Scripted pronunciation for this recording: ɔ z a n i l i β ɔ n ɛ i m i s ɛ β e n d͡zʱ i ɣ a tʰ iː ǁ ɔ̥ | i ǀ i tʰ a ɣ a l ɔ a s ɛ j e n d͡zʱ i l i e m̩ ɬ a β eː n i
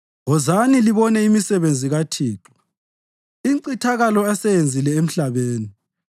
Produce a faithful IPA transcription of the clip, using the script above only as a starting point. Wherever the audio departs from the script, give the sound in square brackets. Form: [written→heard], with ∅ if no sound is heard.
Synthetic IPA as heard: ɔ z a n i l i β ɔ n ɛ i m i s ɛ β e n d͡zʱ i ɣ a tʰ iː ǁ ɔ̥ | i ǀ i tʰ a ɣ a l ɔ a s ɛ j e n d͡zʱ i l [i→ɛ] e m̩ ɬ a β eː n i